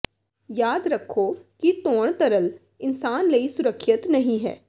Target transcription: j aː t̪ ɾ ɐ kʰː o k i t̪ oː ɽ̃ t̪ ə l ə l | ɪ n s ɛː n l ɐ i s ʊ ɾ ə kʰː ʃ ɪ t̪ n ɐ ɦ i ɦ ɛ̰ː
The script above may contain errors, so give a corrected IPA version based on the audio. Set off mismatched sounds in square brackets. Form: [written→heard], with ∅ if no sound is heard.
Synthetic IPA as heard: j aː [t̪→d̪] ɾ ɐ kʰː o k i t̪ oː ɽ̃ t̪ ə [l→ɾ] ə l | ɪ n s [ɛː→aː] n l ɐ i s ʊ ɾ ə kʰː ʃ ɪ t̪ n ɐ ɦ [i→ĩ] ɦ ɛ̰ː